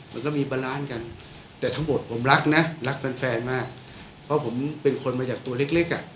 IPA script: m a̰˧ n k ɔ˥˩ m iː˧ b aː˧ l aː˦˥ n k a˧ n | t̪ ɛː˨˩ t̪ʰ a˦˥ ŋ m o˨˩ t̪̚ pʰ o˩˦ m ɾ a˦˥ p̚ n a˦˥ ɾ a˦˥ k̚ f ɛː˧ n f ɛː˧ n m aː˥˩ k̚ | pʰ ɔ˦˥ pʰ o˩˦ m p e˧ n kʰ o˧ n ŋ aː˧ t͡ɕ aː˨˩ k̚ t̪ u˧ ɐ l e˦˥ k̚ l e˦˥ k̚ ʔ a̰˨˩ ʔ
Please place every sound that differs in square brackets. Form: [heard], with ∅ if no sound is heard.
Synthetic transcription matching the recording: m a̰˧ n k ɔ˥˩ m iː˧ b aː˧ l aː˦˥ n k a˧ n | t̪ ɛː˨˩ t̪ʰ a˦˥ ŋ m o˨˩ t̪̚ pʰ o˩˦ m ɾ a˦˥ [k̚] n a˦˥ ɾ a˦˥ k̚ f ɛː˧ n f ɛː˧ n m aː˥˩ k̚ | pʰ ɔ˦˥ pʰ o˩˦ m p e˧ n kʰ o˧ n [m] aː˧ t͡ɕ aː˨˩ k̚ t̪ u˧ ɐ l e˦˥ k̚ l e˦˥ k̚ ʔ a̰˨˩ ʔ